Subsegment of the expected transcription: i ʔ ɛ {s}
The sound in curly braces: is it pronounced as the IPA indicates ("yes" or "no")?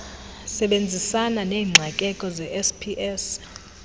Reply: yes